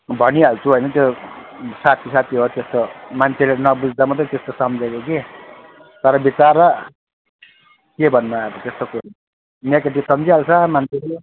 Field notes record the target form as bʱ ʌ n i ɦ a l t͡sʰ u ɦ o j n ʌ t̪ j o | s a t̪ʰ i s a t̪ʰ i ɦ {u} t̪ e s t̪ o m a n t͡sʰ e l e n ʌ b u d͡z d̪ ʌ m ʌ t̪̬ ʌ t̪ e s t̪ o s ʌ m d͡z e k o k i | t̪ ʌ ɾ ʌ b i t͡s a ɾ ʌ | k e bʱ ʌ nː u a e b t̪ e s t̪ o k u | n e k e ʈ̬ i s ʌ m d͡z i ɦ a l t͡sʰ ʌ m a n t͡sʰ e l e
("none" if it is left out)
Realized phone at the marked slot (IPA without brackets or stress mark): o